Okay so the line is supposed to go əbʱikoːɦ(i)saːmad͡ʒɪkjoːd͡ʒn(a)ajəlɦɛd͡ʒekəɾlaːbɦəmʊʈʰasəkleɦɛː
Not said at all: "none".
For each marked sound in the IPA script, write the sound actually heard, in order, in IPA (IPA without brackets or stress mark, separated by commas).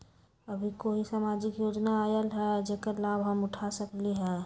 i, a